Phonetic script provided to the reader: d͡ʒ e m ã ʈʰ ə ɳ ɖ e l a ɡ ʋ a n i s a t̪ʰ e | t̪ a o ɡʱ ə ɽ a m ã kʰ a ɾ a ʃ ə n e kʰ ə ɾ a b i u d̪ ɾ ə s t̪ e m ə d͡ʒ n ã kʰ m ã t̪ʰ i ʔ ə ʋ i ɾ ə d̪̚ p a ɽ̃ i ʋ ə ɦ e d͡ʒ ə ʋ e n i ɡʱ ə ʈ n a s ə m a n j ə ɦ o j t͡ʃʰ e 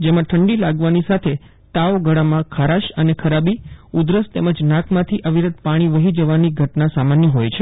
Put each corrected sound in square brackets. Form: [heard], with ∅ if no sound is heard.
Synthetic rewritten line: d͡ʒ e m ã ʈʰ ə ɳ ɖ [i] l a ɡ ʋ a n i s a t̪ʰ e | t̪ a o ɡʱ ə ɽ a m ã kʰ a ɾ a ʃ ə n e kʰ ə ɾ a b i u d̪ ɾ ə s t̪ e m ə d͡ʒ n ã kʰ m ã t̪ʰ i ʔ ə ʋ i ɾ ə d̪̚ p a ɽ̃ i ʋ ə ɦ [i] d͡ʒ ə ʋ [a] n i ɡʱ ə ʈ n a s [a] m a n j ə ɦ o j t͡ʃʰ e